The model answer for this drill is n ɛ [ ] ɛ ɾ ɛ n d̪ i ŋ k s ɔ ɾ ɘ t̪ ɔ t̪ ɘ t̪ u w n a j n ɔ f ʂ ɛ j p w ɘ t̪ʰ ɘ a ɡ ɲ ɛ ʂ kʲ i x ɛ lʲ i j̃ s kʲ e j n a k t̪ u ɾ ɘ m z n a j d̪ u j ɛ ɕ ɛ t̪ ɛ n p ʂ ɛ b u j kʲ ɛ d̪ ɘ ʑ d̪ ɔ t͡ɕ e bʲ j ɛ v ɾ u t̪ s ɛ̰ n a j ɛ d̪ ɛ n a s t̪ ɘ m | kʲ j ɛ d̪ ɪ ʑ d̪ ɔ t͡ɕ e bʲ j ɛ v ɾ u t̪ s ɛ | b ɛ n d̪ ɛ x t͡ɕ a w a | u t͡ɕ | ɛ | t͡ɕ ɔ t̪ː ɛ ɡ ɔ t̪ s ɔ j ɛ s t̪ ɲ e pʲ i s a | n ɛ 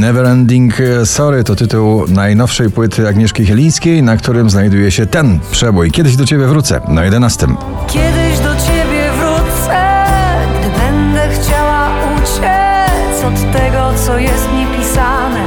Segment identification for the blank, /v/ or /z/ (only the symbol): v